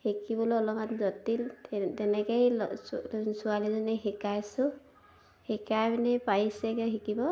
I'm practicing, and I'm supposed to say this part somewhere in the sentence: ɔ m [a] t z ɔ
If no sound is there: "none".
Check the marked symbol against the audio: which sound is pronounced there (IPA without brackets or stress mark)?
a